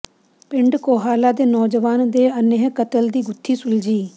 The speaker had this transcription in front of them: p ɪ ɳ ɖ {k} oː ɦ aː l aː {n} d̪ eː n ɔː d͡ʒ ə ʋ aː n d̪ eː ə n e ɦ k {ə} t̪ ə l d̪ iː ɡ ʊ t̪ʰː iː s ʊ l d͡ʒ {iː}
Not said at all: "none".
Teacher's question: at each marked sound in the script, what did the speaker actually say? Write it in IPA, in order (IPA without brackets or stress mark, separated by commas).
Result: k, none, ə, iː